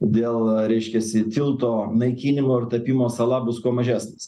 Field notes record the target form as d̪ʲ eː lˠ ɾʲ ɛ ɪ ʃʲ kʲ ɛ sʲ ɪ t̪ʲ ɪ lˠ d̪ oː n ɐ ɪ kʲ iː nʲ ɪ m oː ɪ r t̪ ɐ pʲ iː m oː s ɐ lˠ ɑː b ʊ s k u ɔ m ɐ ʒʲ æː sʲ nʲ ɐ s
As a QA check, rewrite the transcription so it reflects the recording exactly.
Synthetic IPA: d̪ʲ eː lˠ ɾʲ ɛ ɪ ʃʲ kʲ ɛ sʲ ɪ t̪ʲ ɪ lˠ t̪ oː n ɐ ɪ kʲ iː nʲ ɪ m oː ɪ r t̪ ɐ pʲ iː m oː s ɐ lˠ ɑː b ʊ s k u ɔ m ɐ ʒʲ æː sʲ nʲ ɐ s